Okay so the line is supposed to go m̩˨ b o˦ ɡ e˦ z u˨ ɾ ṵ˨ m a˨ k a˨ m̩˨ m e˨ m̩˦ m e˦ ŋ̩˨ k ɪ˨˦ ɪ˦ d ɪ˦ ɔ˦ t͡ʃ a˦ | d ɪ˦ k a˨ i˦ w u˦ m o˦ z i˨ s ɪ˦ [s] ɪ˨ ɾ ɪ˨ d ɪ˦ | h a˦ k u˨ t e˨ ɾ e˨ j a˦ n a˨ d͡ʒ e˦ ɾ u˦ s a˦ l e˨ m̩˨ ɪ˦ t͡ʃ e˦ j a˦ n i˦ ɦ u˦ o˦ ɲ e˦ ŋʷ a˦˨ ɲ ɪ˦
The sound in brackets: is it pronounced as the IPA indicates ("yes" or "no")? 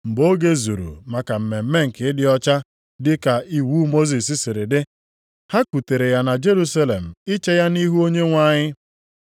yes